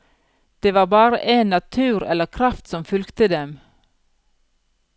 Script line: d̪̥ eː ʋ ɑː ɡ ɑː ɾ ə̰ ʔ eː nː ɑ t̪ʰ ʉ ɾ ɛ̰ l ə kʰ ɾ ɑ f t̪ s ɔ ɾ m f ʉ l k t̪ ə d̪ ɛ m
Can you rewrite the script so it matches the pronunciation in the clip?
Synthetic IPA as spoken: d̪̥ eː ʋ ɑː b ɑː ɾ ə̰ ʔ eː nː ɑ t̪ʰ ʉː ɾ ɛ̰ l ə kʰ ɾ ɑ f t̪ s ɔ m f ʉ l k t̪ ə d̪ ɛ m